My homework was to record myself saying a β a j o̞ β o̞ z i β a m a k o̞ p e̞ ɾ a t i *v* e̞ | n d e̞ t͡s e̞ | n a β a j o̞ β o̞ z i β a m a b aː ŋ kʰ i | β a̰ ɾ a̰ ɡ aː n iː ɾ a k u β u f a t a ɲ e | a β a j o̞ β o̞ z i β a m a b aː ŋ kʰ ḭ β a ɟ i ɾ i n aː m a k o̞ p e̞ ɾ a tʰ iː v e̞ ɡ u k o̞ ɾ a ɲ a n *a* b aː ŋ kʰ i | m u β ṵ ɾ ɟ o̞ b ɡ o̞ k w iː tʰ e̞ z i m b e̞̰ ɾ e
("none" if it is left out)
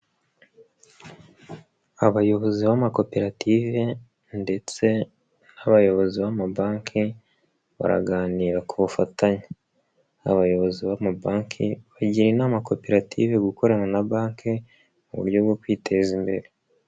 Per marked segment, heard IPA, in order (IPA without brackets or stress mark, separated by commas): v, a